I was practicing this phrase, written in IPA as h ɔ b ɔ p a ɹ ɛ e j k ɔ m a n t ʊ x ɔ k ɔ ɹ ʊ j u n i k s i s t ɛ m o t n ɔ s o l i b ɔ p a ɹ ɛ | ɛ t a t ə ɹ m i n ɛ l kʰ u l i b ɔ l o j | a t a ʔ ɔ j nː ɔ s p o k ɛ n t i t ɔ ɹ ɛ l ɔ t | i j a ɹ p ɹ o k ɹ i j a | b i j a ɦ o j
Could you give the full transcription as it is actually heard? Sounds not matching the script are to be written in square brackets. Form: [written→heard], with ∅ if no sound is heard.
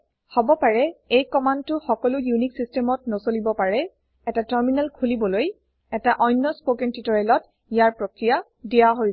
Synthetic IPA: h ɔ b ɔ p a ɹ ɛ e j k ɔ m a n t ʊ x ɔ k ɔ [ɹ→l] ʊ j u n i k s i s t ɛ m [o→ɔ] t n ɔ s o l i b ɔ p a ɹ ɛ | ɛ t a t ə ɹ m i n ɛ l kʰ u l i b ɔ l o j | [a→ɛ] t a ʔ ɔ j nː ɔ s p o k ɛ n t i t ɔ ɹ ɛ l ɔ t | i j a ɹ p ɹ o k ɹ i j a | [b→d] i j a ɦ o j